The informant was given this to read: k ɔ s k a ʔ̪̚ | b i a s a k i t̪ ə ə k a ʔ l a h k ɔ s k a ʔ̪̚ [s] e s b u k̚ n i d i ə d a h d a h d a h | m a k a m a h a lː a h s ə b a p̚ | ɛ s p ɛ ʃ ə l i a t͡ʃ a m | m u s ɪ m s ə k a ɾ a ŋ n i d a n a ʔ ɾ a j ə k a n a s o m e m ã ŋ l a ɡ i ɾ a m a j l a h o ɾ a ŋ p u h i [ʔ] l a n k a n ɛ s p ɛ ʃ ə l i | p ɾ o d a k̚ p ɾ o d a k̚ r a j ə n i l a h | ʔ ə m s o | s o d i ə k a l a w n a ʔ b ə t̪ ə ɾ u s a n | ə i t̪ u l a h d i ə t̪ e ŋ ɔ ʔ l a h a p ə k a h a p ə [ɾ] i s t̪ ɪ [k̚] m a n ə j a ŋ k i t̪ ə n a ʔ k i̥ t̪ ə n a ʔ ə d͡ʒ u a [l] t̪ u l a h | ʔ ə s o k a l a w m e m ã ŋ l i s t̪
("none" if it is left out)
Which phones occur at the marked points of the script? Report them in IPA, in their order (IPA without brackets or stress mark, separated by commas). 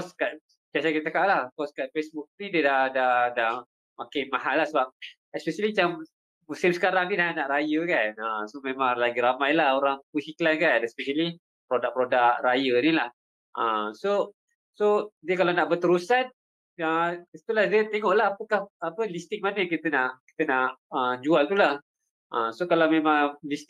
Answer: f, k, l, k̚, l